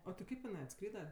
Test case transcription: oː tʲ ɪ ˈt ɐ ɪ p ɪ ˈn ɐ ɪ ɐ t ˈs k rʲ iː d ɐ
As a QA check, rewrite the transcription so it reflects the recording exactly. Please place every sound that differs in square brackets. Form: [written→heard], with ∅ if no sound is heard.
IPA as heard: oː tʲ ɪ [ˈt→ˈk] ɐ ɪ p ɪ ˈn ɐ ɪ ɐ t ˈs k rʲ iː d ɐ